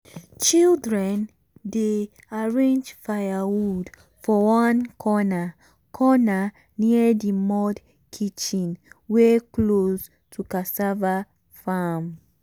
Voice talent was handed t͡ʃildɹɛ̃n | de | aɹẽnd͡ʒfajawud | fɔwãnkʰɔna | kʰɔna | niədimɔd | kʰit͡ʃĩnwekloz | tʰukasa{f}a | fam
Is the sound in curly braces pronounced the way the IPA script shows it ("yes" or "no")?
no